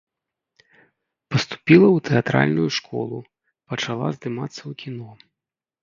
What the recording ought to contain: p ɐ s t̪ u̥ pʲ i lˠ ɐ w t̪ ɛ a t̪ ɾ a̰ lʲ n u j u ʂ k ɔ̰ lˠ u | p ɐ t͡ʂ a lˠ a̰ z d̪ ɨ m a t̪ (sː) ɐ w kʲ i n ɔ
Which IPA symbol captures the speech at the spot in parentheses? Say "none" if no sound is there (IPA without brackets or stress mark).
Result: sː